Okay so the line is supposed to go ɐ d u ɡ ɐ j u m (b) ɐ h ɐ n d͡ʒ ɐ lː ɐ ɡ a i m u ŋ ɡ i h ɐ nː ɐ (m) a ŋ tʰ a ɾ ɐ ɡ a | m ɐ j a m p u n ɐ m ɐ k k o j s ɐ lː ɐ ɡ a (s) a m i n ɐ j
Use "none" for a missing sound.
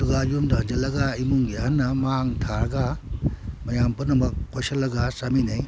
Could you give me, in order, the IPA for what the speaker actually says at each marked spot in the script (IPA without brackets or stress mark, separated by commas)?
d, m, s